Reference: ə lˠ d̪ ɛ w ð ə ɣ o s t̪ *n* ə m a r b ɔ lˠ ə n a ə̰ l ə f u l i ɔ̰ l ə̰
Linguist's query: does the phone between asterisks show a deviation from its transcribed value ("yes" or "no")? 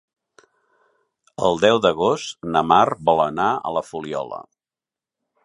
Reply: no